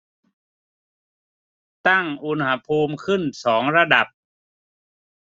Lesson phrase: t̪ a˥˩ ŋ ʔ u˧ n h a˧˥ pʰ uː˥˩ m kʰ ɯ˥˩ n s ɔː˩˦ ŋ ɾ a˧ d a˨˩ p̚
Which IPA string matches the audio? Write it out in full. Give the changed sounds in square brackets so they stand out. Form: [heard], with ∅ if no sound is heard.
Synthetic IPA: t̪ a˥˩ ŋ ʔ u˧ n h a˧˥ pʰ [uː˧] m kʰ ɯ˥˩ n s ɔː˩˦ ŋ ɾ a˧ d a˨˩ p̚